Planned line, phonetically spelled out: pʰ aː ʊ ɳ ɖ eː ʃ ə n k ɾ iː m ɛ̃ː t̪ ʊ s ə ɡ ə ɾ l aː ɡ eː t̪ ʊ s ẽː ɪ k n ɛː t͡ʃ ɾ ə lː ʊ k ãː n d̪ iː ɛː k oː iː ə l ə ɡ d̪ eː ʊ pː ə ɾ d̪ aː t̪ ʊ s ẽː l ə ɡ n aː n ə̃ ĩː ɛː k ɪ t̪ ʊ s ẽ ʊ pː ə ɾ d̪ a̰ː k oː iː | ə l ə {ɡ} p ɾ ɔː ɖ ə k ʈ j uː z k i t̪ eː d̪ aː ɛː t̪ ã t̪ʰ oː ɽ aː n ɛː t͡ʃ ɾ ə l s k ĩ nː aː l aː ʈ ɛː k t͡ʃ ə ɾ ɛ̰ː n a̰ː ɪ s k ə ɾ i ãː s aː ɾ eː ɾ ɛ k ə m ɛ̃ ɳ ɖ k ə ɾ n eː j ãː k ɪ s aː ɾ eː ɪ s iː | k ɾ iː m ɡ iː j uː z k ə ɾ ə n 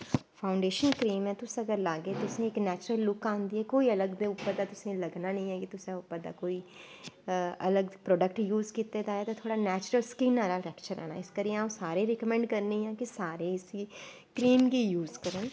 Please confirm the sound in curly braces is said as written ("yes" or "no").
yes